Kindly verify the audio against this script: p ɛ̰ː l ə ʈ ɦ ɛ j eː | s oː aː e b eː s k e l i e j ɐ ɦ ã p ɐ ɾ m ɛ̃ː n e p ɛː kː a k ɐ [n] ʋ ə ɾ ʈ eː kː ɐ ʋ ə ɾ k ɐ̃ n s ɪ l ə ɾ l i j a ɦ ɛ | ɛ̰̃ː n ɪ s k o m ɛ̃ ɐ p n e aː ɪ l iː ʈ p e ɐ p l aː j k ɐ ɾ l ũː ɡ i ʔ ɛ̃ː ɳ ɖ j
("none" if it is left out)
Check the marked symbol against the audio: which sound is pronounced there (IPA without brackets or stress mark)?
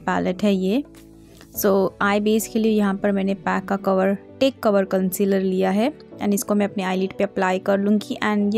none